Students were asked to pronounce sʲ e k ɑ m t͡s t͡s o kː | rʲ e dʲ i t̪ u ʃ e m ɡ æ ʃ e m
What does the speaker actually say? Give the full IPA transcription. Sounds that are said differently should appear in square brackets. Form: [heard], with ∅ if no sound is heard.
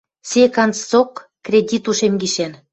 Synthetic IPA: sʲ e k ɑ [n] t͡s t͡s o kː | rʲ e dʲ i t̪ u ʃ e m ɡ [i] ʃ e [n]